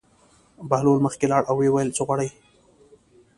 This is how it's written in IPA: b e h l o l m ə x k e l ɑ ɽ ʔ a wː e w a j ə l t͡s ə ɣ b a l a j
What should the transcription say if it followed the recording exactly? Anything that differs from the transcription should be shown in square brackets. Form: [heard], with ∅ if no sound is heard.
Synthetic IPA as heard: b [a] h l o l m ə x k e l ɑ ɽ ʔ a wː e w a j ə l t͡s ə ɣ [w] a [ɽ] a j

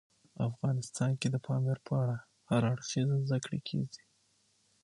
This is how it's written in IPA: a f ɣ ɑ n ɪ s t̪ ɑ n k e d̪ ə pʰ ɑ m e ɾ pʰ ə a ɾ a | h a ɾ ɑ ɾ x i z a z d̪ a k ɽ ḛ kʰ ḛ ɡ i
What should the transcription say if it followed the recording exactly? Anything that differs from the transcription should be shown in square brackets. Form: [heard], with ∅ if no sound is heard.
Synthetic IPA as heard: a f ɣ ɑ n ɪ s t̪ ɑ n k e d̪ ə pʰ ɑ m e ɾ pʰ ə a [ɽ] a | h a ɾ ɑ [ɽ] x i z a z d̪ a k ɽ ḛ kʰ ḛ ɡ i

